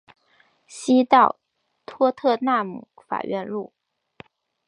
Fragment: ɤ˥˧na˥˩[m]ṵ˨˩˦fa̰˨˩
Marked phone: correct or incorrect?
correct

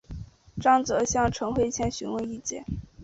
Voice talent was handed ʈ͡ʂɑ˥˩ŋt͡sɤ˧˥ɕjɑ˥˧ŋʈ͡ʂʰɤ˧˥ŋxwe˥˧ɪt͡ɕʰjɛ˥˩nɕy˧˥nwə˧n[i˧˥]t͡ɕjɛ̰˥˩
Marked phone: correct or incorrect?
incorrect: i˥˧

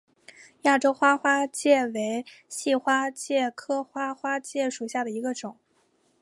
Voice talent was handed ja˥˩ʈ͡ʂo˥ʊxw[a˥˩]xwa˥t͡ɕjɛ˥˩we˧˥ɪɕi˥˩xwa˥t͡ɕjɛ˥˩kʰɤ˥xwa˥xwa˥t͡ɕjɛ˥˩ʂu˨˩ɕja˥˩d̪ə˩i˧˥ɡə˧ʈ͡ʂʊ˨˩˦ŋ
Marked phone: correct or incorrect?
incorrect: a˥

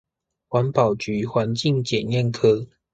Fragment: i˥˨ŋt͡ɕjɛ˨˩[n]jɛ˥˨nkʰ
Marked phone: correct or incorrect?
correct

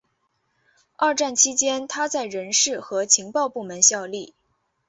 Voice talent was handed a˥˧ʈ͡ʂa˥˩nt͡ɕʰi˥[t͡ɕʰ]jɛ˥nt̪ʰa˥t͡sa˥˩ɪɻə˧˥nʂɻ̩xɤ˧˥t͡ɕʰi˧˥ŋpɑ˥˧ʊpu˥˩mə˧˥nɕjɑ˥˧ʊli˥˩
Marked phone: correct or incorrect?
incorrect: t͡ɕ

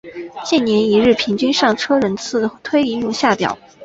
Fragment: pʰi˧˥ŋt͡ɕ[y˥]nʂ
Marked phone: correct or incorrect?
correct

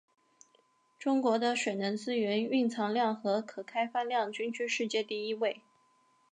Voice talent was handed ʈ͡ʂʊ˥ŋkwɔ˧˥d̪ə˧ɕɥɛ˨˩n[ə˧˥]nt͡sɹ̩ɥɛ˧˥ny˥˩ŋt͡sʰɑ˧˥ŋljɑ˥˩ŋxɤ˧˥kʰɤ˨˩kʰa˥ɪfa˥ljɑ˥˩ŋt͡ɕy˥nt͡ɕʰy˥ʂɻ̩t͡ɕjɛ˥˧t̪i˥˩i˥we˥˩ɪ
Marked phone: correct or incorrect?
correct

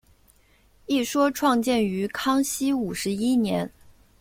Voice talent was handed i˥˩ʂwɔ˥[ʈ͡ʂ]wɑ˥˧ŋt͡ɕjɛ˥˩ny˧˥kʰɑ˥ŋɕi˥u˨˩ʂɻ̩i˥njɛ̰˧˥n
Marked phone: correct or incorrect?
incorrect: ʈ͡ʂʰ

